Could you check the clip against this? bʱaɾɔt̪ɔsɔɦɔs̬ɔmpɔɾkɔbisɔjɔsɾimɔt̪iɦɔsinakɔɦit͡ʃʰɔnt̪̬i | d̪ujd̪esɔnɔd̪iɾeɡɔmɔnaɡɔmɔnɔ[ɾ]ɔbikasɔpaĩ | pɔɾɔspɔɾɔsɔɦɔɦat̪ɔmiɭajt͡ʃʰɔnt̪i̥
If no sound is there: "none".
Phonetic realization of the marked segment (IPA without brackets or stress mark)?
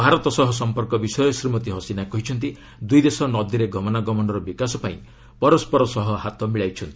ɾ